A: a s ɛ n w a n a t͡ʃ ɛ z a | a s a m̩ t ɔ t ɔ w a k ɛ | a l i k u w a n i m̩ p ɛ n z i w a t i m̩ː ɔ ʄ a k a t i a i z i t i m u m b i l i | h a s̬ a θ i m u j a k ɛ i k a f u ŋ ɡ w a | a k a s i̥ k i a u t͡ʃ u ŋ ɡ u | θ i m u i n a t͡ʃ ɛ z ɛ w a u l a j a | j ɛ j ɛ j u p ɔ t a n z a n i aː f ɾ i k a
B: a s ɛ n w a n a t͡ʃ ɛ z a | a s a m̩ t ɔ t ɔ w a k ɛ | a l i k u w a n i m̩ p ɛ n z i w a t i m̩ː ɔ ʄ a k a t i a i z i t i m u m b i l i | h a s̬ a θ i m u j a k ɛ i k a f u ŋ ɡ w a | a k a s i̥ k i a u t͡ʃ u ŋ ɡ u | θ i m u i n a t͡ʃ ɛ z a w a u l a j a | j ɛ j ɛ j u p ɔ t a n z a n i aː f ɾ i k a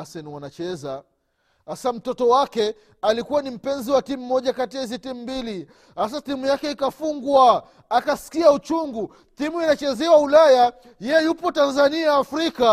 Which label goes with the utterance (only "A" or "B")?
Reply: A